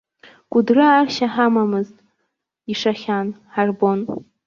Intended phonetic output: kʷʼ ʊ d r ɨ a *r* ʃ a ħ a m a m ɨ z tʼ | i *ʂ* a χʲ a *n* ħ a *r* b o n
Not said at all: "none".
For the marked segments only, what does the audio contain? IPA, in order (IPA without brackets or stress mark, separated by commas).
r, ʂ, n, r